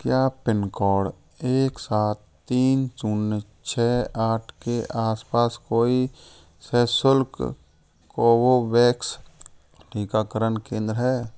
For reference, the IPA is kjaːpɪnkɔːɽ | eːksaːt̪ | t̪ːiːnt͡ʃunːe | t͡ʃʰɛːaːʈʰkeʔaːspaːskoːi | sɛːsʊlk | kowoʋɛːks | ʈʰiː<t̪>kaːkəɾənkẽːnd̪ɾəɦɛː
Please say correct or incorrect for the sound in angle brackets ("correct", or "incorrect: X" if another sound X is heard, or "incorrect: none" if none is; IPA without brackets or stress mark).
incorrect: none